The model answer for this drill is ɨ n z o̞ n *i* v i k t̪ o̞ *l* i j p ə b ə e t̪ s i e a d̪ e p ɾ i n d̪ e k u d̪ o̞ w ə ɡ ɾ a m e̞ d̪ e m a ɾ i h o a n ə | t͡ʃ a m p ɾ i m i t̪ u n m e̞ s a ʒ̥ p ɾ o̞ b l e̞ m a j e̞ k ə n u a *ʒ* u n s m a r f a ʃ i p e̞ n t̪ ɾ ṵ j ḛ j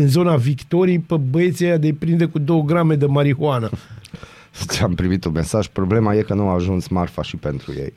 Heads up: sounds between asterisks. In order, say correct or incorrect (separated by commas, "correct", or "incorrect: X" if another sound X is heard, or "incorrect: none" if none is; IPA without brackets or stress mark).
incorrect: a, incorrect: ɾ, correct